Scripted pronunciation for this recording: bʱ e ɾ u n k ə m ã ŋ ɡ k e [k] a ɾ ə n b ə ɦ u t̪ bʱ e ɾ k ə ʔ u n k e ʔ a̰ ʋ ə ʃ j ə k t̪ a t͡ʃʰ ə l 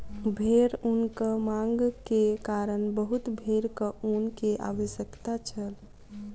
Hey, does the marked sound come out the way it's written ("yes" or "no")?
yes